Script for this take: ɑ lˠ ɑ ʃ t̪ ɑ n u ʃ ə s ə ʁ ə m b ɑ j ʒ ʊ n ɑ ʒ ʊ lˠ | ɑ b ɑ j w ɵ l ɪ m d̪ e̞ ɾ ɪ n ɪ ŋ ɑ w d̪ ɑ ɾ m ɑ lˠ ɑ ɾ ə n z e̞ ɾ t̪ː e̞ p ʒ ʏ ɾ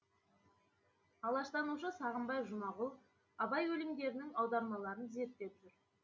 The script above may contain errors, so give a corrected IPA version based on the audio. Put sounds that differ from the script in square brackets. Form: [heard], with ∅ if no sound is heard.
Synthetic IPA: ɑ lˠ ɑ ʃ t̪ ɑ n u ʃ ə s [ɑ] ʁ ə m b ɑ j ʒ ʊ [m] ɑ [ʁ] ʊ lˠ | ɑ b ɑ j w ɵ l ɪ m d̪ e̞ ɾ ɪ n ɪ ŋ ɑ w d̪ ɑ ɾ m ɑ lˠ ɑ ɾ ə n z e̞ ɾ t̪ː e̞ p ʒ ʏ ɾ